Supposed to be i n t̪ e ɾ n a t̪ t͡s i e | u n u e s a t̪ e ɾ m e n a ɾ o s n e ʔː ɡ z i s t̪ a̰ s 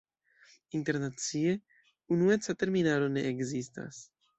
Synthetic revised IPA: i n t̪ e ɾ n a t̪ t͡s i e | u n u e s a t̪ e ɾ m i n a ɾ o n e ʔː ɡ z i s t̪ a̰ s

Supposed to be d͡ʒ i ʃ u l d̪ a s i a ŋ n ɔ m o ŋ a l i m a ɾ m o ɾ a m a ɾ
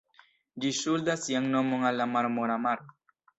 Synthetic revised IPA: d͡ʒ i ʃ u l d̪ a s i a ŋ n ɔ m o ŋ a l a m a ɾ m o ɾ a m a ɾ

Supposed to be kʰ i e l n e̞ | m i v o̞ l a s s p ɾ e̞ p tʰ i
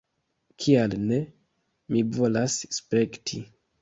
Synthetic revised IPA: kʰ i a l n e̞ | m i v o̞ l a s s p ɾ e̞ k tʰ i

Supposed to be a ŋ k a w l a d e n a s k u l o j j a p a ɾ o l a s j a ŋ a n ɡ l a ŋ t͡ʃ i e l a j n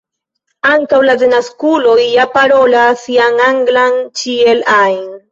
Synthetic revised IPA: a ŋ k a w l a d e n a s k u l o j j a p a ɾ o l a s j a ŋ a ŋ ɡ l a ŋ t͡ʃ i e l a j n

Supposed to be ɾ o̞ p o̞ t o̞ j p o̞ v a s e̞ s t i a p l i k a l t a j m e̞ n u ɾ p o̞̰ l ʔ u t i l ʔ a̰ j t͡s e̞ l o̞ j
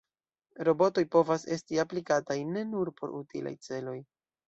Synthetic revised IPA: ɾ o̞ b o̞ t o̞ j p o̞ v a s e̞ s t i a p l i k a t a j n e̞ n u ɾ p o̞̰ ɾ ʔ u t i l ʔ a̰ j t͡s e̞ l o̞ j

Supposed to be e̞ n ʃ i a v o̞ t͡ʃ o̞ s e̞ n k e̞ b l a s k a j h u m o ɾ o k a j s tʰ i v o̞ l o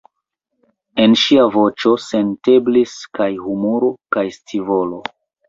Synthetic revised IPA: e̞ n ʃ i a v o̞ t͡ʃ o̞ s e̞ n t e̞ b l i s k a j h u m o ɾ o k a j s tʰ i v o̞ l o

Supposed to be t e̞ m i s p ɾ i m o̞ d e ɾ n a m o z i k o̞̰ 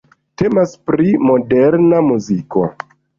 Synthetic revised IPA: t e̞ m a s p ɾ i m o̞ d e ɾ n a m u z i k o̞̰

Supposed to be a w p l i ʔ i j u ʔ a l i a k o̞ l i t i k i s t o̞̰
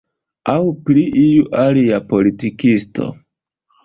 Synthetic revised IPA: a w p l i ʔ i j u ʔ a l i a p o̞ l i t i k i s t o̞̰

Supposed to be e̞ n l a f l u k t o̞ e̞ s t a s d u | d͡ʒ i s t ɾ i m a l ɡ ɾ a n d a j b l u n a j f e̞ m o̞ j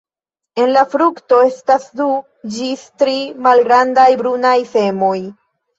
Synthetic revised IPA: e̞ n l a f ɾ u k t o̞ e̞ s t a s d u | d͡ʒ i s t ɾ i m a l ɡ ɾ a n d a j b ɾ u n a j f e̞ m o̞ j

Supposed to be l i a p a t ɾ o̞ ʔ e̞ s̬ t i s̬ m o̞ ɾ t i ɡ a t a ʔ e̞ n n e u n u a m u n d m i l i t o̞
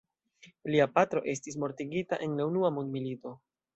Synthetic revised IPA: l i a p a t ɾ o̞ ʔ e̞ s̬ t i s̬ m o̞ ɾ t i ɡ i t a ʔ e̞ n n e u n u a m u n d m i l i t o̞

